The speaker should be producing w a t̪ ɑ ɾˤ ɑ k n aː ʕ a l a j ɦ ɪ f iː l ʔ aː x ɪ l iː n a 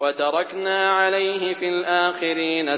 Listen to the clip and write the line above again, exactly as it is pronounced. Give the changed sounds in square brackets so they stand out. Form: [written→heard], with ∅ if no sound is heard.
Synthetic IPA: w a t̪ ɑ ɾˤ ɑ k n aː ʕ a l a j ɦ ɪ f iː l ʔ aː x ɪ [l→ɾ] iː n a